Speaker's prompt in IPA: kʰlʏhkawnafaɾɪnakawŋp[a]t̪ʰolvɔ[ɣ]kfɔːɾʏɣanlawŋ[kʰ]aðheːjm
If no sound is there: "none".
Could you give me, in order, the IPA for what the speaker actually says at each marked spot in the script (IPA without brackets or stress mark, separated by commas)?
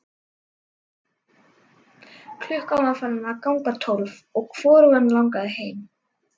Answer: a, ɣ, k